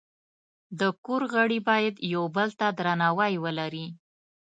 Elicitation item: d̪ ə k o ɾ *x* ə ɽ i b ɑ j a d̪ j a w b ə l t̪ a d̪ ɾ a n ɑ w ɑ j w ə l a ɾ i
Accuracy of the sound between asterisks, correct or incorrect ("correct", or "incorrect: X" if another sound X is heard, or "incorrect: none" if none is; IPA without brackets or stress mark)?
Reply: incorrect: ɣ